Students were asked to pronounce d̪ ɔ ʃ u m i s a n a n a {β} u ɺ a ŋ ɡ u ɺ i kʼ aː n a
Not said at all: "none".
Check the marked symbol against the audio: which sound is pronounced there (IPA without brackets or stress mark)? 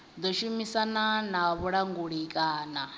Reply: β